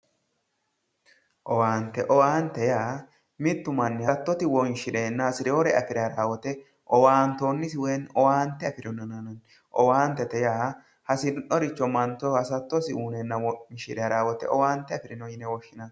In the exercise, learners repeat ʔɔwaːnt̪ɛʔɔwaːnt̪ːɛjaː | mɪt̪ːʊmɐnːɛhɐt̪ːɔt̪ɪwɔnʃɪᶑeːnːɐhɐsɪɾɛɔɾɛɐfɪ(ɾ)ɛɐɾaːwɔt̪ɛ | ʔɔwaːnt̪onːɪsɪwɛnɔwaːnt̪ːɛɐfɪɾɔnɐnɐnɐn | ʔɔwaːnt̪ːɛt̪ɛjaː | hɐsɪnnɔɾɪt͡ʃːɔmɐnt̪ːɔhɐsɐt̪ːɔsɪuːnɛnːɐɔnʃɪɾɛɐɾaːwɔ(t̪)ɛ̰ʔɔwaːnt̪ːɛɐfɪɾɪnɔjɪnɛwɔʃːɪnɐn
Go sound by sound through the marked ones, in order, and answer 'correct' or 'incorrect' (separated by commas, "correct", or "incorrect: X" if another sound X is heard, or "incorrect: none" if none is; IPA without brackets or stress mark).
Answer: correct, correct